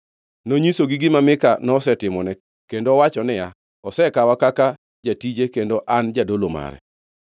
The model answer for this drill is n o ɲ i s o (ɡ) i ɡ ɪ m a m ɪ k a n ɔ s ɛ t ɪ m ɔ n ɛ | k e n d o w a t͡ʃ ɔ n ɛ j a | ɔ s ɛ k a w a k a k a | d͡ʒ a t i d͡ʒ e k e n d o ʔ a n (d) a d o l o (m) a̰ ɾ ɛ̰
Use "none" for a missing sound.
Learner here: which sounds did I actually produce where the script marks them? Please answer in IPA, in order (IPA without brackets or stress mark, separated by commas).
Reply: ɡ, d͡ʒ, m